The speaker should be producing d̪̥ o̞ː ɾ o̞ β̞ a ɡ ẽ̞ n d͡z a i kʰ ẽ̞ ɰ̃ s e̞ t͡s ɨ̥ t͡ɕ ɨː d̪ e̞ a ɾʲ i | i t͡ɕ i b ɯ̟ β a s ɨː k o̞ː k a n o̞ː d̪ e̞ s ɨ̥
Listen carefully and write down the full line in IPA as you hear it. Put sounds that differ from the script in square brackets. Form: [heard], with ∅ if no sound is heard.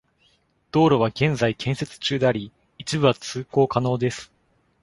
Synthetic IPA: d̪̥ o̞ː ɾ o̞ β̞ a ɡ ẽ̞ n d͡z a i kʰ ẽ̞ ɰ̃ s e̞ t͡s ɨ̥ t͡ɕ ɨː d̪ e̞ a ɾʲ i | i t͡ɕ i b ɯ̟ β a [t͡s] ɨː k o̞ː k a n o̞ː d̪ e̞ s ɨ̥